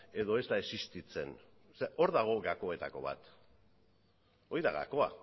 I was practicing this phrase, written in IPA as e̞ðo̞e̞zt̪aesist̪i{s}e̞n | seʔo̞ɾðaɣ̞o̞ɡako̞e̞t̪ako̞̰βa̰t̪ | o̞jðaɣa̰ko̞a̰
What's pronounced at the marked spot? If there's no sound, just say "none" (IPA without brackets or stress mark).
t͡s